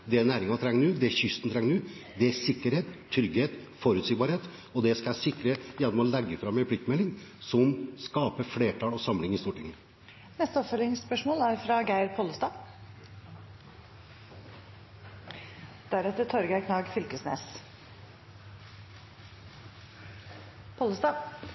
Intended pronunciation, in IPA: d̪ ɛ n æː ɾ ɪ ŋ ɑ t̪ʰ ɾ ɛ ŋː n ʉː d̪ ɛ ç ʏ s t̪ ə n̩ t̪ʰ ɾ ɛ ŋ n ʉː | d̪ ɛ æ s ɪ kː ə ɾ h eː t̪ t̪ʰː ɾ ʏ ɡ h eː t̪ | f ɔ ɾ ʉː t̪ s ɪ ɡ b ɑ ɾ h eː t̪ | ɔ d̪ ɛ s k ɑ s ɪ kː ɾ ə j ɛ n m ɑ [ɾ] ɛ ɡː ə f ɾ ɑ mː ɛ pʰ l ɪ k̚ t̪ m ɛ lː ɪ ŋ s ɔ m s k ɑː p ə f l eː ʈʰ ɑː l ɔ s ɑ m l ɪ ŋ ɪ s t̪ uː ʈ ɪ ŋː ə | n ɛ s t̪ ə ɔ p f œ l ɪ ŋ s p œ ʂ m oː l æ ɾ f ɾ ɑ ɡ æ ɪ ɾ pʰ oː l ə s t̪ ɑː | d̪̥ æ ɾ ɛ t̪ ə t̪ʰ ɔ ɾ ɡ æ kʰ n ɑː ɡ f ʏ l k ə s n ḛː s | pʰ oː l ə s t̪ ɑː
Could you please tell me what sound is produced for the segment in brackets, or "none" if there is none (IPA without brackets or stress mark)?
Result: l